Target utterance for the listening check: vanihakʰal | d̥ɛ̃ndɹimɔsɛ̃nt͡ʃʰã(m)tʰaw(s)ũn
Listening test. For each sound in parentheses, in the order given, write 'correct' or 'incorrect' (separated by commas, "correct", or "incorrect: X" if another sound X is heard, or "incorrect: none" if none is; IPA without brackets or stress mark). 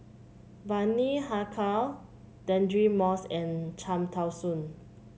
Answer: correct, correct